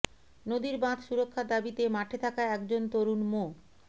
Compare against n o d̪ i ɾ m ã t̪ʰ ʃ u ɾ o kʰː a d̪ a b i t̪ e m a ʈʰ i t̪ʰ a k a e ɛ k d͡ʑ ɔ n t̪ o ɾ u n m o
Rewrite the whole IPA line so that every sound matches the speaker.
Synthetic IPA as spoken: n o d̪ i ɾ b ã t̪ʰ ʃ u ɾ o kʰː a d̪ a b i t̪ e m a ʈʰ e t̪ʰ a k a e ɛ k d͡ʑ o n t̪ o ɾ u n m o

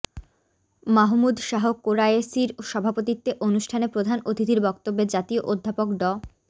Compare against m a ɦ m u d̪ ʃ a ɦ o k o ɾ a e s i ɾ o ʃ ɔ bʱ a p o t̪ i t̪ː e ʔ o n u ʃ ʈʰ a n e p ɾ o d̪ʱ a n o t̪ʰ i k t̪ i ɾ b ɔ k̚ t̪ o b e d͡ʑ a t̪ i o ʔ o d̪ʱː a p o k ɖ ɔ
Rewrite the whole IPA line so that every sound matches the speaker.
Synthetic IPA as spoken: m a ɦ m u d̪ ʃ a ɦ o k o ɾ a e s i ɾ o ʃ ɔ bʱ a p o t̪ i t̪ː e ʔ o n u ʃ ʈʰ a n e p ɾ o d̪ʱ a n o t̪ʰ i t̪ i ɾ b ɔ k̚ t̪ o bː e d͡ʑ a t̪ i o ʔ o d̪ʱː a p o k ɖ ɔ

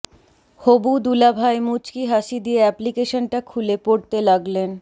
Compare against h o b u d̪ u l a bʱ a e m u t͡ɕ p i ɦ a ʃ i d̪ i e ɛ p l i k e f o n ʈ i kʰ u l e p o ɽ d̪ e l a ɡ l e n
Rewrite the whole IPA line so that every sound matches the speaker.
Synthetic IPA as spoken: h o b u d̪ u l a bʱ a e m u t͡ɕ k i ɦ a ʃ i d̪ i e ɛ p l i k e ʃ o n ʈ a kʰ u l e p o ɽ t̪ e l a ɡ l e n

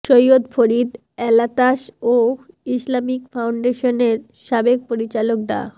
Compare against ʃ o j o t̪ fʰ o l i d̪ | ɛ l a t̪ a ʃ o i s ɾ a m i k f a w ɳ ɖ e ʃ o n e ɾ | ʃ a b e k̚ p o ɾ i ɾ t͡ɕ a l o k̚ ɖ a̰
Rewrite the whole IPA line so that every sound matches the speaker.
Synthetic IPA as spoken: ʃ o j o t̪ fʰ o ɾ i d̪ | ɛ l a t̪ a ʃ o i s l a m i k f a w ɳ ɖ e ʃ o n e ɾ | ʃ a b e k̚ p o ɾ i t͡ɕ a l o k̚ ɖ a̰

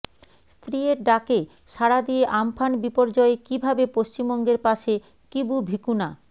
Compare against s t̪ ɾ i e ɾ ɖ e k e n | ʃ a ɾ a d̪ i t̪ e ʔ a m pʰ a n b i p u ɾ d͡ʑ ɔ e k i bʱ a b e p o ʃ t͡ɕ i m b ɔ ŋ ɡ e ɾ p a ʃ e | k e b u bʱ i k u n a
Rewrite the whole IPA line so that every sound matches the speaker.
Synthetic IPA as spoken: s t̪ ɾ i e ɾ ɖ a k e | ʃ a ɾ a d̪ i e ʔ a m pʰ a n b i p o ɾ d͡ʑ ɔ e k i bʱ a b e p o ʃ t͡ɕ i m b ɔ ŋ ɡ e ɾ p a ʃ e | k i b u bʱ i k u n a

